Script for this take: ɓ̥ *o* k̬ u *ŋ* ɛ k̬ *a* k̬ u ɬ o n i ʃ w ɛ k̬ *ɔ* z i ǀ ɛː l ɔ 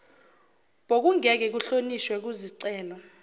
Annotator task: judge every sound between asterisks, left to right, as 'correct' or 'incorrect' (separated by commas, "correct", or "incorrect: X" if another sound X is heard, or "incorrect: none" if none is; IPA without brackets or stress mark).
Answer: correct, correct, incorrect: ɛ, incorrect: u